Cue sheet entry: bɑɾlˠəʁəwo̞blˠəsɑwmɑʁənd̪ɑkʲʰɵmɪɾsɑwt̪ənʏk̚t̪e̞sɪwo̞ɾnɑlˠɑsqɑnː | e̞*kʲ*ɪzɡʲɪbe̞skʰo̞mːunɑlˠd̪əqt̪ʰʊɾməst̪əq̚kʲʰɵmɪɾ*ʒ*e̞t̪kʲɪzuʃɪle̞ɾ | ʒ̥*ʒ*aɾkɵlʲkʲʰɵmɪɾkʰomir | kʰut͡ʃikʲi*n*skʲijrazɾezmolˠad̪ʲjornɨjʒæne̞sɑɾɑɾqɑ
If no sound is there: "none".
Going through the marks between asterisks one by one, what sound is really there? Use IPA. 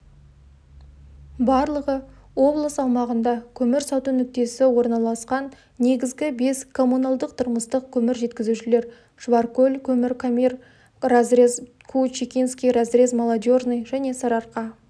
ɡʲ, ʒ, v, n

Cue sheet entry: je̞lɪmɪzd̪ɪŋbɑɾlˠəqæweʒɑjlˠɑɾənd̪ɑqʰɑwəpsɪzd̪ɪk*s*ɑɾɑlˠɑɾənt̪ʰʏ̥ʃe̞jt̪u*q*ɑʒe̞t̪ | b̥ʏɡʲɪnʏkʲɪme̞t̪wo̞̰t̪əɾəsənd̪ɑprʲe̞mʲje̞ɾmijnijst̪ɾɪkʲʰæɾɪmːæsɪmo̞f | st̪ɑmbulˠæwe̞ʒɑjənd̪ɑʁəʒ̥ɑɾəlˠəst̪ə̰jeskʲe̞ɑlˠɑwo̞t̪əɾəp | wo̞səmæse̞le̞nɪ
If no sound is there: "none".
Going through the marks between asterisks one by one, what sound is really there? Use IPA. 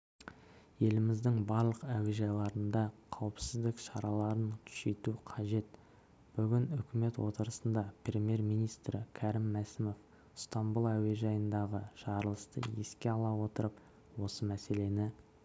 ʃ, qʰ

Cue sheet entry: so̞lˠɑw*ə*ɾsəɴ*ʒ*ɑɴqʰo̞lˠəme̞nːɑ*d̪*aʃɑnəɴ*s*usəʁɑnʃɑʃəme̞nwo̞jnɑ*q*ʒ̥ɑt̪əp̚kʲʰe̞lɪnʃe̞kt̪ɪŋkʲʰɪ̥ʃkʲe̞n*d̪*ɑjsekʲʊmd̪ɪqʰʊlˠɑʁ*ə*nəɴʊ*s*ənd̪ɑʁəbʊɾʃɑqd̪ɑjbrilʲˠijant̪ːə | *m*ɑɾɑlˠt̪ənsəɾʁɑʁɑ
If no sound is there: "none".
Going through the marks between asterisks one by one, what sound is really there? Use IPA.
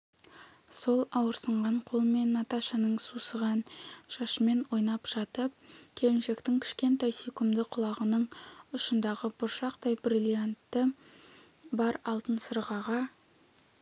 ə, ʁ, t̪, s, p, t̪, ə, ʃ, b

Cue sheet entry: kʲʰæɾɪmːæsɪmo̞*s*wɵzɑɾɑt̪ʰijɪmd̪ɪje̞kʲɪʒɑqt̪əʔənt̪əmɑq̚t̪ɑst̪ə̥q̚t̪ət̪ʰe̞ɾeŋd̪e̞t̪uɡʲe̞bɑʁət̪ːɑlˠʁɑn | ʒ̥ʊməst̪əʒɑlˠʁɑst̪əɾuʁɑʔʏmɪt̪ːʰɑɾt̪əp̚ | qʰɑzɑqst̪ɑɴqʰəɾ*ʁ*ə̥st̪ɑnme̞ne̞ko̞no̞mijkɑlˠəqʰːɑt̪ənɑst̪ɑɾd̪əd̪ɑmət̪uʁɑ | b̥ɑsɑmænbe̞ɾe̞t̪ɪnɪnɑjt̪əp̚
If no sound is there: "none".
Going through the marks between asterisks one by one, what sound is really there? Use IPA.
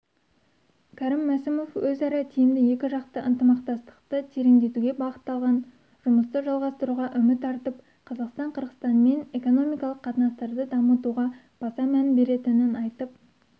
f, ʁ

